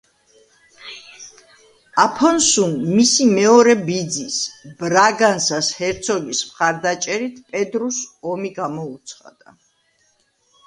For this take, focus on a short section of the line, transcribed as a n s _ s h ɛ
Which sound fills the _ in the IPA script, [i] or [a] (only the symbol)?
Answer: a